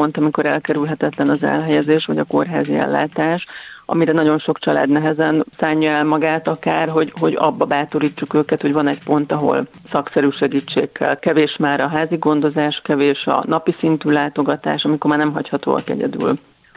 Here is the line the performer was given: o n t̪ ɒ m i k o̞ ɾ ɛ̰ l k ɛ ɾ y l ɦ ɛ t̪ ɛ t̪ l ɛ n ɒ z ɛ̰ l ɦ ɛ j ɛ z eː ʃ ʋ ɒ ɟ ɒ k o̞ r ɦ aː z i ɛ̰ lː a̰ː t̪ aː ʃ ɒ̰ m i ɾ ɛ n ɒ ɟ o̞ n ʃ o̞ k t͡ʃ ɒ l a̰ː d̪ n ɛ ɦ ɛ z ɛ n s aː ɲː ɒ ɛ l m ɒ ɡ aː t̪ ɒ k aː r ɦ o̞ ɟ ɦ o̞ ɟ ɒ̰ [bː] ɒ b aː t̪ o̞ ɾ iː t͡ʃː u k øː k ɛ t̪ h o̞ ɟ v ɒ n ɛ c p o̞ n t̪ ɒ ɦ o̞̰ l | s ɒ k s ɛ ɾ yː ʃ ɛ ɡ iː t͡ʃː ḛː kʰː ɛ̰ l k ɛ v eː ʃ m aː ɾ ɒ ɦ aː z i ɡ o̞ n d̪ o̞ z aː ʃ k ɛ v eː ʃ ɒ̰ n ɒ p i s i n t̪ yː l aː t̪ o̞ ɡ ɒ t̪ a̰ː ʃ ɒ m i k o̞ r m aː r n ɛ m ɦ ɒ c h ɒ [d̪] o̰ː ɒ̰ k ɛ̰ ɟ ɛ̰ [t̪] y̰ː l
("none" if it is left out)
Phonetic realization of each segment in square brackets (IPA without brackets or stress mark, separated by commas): bː, t̪, d̪